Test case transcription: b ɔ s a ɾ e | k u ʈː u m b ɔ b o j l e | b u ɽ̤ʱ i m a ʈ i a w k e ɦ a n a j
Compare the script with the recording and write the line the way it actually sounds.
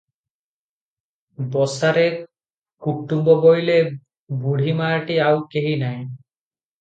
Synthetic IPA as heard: b ɔ s a ɾ e | k u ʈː u m b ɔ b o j l e | b u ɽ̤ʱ i m a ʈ i a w k e ɦ i n a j